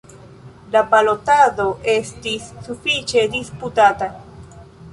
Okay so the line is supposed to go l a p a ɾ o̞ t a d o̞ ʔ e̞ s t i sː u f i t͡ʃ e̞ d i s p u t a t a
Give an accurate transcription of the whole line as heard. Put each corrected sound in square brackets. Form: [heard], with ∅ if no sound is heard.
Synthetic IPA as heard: l a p a [l] o̞ t a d o̞ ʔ e̞ s t i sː u f i t͡ʃ e̞ d i s p u t a t a